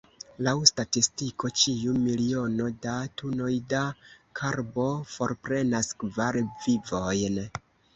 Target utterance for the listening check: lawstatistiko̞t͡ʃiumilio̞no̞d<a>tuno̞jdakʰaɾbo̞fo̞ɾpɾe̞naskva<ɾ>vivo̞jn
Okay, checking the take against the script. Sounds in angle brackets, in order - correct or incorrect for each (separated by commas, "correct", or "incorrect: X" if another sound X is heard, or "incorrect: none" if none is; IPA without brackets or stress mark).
correct, correct